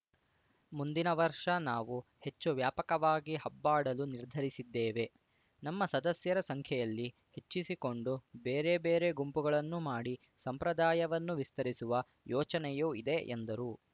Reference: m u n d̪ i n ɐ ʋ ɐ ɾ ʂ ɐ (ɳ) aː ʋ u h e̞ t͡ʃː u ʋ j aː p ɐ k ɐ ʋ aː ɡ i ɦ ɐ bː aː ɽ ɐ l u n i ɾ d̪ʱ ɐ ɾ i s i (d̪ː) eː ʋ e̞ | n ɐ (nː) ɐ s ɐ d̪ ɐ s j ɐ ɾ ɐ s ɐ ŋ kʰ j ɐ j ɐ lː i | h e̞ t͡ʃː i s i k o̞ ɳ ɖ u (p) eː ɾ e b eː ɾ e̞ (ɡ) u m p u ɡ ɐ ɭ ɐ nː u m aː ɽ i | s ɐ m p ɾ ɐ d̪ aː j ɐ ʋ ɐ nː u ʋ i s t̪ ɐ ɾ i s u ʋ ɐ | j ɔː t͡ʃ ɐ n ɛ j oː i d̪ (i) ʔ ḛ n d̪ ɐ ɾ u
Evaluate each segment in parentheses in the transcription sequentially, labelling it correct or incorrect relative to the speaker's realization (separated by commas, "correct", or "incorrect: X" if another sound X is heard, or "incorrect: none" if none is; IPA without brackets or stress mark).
incorrect: n, correct, incorrect: mː, incorrect: b, correct, incorrect: e